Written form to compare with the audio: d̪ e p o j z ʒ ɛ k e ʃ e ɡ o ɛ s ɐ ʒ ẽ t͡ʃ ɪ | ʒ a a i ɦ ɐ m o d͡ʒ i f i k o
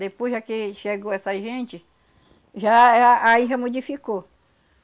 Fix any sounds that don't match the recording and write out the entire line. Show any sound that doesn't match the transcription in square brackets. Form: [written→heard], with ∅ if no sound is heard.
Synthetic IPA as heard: d̪ e p o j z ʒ [ɛ→a] k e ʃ e ɡ o ɛ s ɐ ʒ ẽ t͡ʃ ɪ | ʒ a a i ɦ ɐ m o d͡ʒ i f i k o